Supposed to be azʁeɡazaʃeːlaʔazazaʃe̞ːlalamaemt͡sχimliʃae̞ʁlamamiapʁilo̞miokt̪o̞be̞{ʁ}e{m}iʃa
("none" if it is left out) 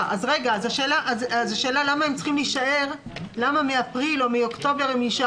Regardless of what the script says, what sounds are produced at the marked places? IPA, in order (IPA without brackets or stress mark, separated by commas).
ʁ, m